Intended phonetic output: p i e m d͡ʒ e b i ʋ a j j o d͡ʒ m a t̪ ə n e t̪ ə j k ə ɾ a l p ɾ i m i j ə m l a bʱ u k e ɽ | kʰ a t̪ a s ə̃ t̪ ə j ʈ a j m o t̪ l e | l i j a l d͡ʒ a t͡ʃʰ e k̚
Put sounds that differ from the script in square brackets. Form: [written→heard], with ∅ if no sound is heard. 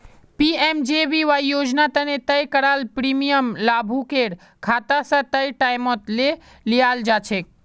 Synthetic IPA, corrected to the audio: p i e m d͡ʒ e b i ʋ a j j o d͡ʒ [m→n] a t̪ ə n e t̪ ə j k ə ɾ a l p ɾ i m i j ə m l a bʱ u k e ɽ | kʰ a t̪ a s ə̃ t̪ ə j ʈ a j m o t̪ l e | l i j a l d͡ʒ a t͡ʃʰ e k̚